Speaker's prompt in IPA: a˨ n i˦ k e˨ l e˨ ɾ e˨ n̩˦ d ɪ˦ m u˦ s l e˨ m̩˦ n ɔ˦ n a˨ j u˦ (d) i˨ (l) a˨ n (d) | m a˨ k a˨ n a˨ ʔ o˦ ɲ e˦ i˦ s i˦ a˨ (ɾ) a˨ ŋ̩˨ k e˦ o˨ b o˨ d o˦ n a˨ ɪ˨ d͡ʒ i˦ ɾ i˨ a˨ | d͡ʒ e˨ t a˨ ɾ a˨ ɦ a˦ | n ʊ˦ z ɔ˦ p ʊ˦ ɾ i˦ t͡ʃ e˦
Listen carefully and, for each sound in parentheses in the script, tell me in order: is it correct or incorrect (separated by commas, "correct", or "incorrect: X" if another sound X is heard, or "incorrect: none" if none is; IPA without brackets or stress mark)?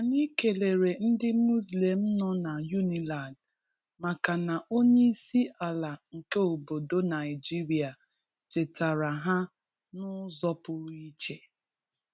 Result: incorrect: n, correct, correct, incorrect: l